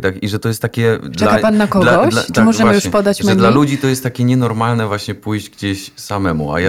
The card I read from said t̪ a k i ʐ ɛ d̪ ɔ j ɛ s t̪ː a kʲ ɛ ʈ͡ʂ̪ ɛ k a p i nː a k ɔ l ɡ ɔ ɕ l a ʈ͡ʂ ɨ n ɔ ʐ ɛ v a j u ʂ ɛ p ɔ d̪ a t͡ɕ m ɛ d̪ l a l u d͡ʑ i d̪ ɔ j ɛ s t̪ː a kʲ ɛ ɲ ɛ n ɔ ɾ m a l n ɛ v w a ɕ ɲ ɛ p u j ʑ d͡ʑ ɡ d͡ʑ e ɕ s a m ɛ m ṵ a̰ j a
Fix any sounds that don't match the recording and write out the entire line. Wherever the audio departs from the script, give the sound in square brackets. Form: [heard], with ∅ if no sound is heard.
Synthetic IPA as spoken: t̪ a k i ʐ ɛ [t̪] ɔ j ɛ s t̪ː a kʲ ɛ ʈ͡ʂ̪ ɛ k a p [a] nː a k ɔ l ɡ ɔ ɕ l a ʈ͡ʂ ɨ [m] ɔ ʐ ɛ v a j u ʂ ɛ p ɔ d̪ a t͡ɕ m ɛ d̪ l a l u d͡ʑ i [t̪] ɔ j ɛ s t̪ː a kʲ ɛ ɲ ɛ n ɔ ɾ m a l n ɛ v w a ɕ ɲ ɛ p u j ʑ d͡ʑ ɡ d͡ʑ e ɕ s a m ɛ m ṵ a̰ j a